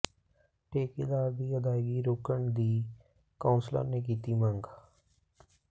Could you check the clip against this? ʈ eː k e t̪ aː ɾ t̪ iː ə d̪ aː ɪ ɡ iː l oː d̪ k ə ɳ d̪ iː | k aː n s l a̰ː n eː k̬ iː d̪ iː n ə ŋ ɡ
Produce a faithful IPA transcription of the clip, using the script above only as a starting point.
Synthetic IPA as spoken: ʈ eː k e d̪ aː ɾ d̪ iː ə d̪ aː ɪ ɡ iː ɾ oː k ə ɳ d̪ iː | k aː n s l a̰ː n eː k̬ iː t̪ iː m ə ŋ ɡ

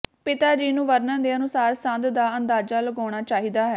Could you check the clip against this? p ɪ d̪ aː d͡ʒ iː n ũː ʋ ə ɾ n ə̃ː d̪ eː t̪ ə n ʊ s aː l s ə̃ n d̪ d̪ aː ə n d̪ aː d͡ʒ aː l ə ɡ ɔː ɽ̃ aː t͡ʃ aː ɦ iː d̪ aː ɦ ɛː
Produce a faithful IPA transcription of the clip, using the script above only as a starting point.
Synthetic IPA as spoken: p ɪ t̪ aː d͡ʒ iː n ũː ʋ ə ɾ n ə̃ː d̪ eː ə n ʊ s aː ɾ s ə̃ n d̪ d̪ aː ə n d̪ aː d͡ʒ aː l ə ɡ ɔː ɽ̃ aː t͡ʃ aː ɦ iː d̪ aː ɦ ɛː

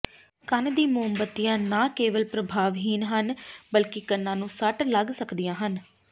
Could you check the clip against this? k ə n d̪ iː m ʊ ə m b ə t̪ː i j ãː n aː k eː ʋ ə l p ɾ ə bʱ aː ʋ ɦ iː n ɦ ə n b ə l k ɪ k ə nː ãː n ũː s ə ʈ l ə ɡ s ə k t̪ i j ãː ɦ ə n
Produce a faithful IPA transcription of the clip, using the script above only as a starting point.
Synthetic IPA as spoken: k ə n d̪ iː m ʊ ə m b ə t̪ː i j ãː n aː k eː ʋ ə l p ɾ ə bʱ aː ʋ ɦ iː n ɦ ə n b ə l k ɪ k ə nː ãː n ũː s ə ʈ l ə ɡ s ə k d̪ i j ãː ɦ ə n

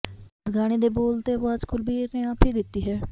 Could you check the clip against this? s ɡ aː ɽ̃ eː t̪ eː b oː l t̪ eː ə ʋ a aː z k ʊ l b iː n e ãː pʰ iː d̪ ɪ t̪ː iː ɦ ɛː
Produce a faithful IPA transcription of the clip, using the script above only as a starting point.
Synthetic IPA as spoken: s ɡ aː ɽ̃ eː d̪ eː b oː l t̪ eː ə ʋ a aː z k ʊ l b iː n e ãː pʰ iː d̪ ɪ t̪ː iː ɦ ɛː

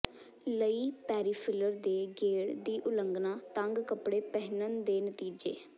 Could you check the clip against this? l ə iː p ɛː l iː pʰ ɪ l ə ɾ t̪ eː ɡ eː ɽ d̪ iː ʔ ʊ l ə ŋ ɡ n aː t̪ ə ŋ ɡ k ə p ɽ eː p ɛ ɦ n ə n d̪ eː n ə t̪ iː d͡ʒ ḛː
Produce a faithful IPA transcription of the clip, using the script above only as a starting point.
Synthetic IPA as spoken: l ə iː p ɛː ɾ iː pʰ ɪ l ə ɾ d̪ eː ɡ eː ɽ d̪ iː ʔ ʊ l ə ŋ ɡ n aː t̪ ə ŋ ɡ k ə p ɽ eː p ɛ ɦ n ə n d̪ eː n ə t̪ iː d͡ʒ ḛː

